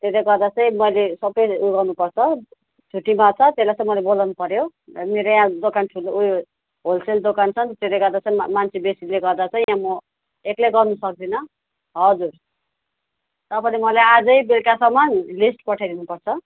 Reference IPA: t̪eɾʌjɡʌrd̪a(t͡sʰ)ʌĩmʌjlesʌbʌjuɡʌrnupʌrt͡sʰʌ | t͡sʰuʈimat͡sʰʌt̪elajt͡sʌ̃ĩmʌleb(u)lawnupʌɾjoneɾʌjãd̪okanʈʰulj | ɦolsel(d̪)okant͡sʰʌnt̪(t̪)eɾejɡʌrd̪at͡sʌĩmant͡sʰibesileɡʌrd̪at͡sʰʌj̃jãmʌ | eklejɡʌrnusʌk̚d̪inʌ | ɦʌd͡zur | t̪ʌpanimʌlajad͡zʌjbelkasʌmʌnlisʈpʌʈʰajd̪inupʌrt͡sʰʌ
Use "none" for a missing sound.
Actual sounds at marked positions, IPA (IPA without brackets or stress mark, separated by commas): t͡s, o, d̪, t̪